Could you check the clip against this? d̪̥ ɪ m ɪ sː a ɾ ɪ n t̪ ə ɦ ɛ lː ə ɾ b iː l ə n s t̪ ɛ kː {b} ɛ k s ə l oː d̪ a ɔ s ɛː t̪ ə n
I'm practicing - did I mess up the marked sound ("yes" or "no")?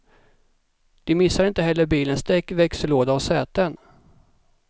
yes